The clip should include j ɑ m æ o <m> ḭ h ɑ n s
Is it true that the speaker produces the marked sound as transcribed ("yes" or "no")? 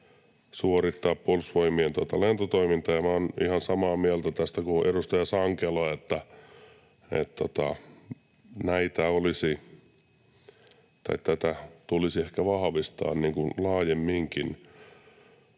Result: no